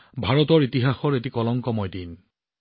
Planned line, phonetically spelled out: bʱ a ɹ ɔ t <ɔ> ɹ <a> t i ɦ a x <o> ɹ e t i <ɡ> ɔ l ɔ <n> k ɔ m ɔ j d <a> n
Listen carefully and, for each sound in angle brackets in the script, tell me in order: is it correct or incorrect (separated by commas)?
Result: correct, incorrect, incorrect, incorrect, incorrect, incorrect